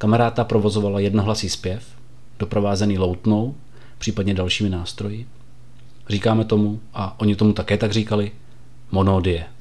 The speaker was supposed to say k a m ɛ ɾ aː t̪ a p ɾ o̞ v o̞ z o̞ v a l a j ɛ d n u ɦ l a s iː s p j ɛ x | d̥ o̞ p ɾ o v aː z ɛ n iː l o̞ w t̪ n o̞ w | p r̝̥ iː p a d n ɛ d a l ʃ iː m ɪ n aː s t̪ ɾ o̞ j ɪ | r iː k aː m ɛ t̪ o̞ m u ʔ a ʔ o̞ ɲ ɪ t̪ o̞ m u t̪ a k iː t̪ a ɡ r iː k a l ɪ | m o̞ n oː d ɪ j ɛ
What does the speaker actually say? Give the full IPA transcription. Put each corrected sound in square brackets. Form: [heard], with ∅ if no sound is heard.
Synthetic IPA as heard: k a m ɛ ɾ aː t̪ a p ɾ o̞ v o̞ z o̞ v a l a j ɛ d n [o] ɦ l a s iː s p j ɛ [f] | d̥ o̞ p ɾ o v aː z ɛ n iː l o̞ w t̪ n o̞ w | p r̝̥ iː p a d [ɲ] ɛ d a l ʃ iː m ɪ n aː s t̪ ɾ o̞ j ɪ | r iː k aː m ɛ t̪ o̞ m u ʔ a ʔ o̞ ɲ ɪ t̪ o̞ m u t̪ a k [ɛː] t̪ a ɡ r iː k a l ɪ | m o̞ n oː d ɪ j ɛ